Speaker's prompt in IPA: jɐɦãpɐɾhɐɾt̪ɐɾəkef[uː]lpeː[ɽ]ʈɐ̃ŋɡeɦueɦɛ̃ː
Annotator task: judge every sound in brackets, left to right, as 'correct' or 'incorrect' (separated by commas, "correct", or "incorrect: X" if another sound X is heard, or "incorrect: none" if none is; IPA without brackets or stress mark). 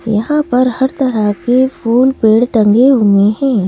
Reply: correct, correct